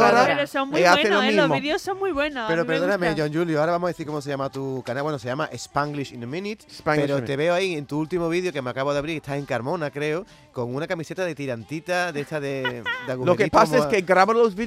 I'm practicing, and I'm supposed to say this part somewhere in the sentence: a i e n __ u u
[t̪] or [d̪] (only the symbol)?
t̪